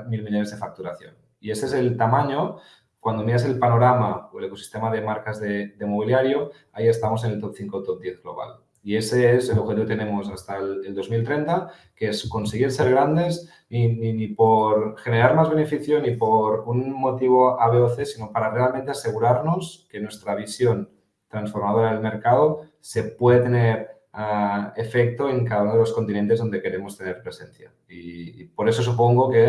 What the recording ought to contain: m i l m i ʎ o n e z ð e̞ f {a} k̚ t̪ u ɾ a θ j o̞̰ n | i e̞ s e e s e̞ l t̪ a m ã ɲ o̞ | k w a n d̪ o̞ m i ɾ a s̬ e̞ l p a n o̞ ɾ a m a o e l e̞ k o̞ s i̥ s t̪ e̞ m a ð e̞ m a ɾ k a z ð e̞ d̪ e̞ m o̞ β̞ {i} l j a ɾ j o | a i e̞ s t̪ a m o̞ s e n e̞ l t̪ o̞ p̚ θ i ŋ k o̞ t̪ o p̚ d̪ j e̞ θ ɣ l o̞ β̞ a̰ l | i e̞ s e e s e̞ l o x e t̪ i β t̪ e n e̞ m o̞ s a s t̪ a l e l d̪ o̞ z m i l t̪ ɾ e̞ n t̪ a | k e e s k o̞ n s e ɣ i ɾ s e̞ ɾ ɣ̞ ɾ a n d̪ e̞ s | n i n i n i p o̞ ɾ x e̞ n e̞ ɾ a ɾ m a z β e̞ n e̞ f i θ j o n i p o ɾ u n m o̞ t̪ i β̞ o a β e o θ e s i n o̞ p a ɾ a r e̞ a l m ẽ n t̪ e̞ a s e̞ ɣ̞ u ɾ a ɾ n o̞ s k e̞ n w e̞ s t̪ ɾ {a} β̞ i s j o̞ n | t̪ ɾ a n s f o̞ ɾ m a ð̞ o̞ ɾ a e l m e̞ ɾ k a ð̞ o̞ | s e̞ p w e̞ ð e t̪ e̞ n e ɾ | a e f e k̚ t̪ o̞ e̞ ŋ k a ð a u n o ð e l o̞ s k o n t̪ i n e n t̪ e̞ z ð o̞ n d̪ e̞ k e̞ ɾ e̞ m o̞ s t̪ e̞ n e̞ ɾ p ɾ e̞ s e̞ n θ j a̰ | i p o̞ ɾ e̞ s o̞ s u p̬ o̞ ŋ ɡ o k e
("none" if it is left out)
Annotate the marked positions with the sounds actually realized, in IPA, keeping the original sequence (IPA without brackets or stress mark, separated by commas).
a, i, a